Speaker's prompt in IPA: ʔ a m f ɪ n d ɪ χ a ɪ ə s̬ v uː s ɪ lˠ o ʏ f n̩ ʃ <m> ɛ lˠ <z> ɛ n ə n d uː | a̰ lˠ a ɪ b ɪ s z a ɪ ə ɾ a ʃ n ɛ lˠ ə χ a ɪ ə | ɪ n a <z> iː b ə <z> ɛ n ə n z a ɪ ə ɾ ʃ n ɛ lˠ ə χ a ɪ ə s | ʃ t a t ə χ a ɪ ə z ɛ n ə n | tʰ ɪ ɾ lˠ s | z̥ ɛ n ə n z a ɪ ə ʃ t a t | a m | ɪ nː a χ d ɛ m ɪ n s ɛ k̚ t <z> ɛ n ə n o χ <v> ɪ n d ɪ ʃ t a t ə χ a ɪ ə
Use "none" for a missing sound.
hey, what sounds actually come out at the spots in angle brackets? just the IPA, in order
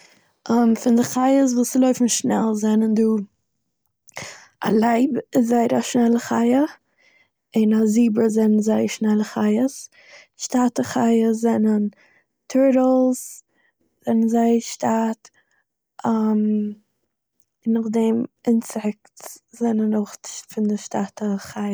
n, z, z, z, z, f

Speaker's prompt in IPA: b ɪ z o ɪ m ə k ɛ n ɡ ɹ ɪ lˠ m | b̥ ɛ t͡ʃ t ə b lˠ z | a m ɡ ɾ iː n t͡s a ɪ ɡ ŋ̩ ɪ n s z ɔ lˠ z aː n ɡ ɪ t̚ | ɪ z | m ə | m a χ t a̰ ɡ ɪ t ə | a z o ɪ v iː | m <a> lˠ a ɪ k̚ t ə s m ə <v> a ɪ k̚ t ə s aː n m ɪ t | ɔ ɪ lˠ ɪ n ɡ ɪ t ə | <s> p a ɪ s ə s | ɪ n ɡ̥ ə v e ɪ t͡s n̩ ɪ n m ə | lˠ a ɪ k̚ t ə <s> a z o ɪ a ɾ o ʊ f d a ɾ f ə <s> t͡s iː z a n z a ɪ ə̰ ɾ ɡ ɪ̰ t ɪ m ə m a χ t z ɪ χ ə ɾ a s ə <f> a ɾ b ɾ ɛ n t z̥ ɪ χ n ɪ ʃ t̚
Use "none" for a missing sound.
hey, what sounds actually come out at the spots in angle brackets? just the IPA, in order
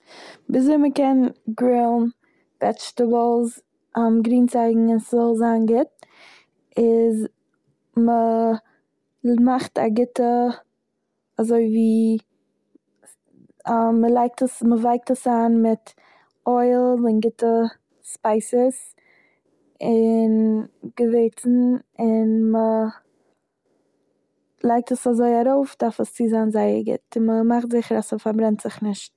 ə, v, s, s, s, f

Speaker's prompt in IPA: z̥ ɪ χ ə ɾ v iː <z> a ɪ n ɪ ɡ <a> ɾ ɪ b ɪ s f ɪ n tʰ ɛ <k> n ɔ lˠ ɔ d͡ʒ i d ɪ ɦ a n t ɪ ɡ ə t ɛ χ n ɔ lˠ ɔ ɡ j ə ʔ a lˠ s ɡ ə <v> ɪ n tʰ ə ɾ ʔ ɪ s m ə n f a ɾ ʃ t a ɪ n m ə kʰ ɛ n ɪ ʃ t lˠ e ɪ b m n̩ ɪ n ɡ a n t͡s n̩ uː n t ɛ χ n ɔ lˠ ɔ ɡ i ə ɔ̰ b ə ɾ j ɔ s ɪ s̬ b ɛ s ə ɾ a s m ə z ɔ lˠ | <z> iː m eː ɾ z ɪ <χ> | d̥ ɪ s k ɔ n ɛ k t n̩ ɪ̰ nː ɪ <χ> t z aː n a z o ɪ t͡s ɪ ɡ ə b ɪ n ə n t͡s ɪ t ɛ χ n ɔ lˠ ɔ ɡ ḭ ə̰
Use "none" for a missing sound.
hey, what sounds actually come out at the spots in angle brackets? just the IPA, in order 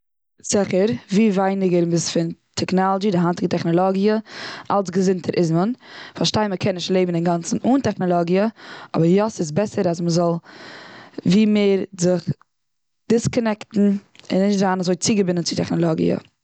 v, ə, k, z, v, χ, ʃ

